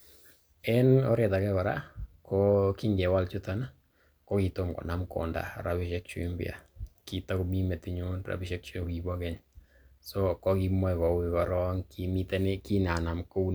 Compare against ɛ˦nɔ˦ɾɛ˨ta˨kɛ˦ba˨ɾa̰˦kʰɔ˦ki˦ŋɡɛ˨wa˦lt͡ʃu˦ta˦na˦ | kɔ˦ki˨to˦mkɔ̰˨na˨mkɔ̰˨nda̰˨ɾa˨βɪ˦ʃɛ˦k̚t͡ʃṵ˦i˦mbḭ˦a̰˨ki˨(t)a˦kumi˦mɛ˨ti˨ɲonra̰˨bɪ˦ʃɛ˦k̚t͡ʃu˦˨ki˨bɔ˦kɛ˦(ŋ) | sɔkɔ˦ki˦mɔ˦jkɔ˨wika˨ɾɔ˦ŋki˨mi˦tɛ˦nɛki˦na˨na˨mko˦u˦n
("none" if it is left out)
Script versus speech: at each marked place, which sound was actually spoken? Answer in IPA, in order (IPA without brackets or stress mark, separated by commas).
t, ɲ